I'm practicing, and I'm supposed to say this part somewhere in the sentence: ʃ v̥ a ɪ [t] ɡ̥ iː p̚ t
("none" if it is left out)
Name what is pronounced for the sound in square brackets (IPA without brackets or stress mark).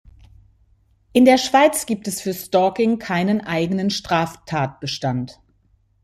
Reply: t͡s